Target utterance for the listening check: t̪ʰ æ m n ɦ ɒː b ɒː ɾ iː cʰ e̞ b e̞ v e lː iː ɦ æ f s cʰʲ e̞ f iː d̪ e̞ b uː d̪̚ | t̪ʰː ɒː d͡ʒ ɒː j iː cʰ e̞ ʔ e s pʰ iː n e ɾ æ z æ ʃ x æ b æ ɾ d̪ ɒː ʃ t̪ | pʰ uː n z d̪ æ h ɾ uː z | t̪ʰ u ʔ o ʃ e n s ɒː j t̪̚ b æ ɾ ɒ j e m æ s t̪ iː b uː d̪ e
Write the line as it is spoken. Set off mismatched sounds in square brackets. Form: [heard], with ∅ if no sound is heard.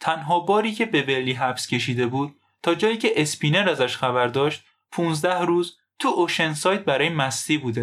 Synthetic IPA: t̪ʰ æ [∅] n ɦ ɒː b ɒː ɾ iː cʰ e̞ b e̞ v e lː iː ɦ æ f s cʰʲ e̞ [ʃ] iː d̪ e̞ b uː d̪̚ | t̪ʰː ɒː d͡ʒ ɒː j iː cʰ e̞ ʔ e s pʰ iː n e ɾ æ z æ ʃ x æ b æ ɾ d̪ ɒː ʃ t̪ | pʰ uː n z d̪ æ h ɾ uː z | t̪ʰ u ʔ o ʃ e n s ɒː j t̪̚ b æ ɾ [ɒː] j e m æ s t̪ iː b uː d̪ e